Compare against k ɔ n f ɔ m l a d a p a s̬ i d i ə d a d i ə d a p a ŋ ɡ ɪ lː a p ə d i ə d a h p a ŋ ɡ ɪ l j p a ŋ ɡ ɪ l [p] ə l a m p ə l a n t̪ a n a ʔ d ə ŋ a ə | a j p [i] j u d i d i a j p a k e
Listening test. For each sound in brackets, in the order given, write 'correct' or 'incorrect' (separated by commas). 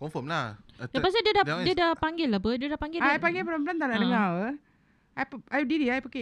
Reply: correct, incorrect